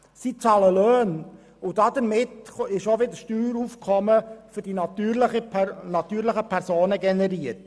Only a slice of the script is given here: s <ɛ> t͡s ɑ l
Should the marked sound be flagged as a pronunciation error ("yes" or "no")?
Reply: yes